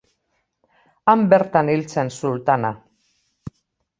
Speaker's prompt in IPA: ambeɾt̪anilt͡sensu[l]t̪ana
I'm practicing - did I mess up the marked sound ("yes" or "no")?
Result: no